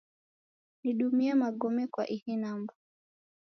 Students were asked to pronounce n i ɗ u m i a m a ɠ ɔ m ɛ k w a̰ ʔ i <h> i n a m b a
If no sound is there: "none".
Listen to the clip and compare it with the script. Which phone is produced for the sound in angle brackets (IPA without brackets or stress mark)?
h